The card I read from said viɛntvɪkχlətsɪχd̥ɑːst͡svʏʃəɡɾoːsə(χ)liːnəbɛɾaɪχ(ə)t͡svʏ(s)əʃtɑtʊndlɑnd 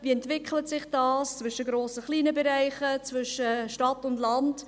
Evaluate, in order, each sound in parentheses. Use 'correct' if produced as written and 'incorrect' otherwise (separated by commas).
correct, correct, incorrect